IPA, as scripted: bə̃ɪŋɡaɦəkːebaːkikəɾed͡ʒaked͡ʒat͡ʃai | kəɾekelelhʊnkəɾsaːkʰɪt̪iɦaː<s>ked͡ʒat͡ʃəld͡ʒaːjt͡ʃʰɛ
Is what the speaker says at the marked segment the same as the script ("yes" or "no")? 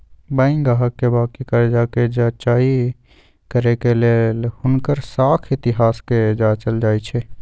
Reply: yes